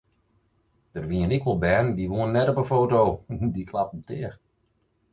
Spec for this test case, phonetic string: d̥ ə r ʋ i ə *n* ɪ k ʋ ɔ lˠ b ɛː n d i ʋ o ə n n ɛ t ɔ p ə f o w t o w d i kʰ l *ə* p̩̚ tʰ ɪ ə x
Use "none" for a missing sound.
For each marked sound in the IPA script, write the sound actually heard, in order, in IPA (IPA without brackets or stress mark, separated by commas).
n, a